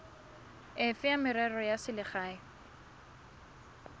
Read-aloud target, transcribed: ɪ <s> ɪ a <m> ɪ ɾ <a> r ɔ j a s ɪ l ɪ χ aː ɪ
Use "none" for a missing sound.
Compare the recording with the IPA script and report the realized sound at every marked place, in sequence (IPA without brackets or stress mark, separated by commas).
f, m, ɛ